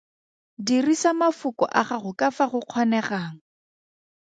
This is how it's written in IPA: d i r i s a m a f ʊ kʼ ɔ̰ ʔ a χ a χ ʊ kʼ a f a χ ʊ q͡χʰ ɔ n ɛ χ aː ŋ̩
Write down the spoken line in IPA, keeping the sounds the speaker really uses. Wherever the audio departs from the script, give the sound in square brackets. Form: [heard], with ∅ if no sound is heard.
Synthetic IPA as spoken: d i r i s a m a f ʊ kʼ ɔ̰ ʔ a χ a χ ʊ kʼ a f a χ ʊ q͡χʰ ɔ n ɛ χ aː ŋ̩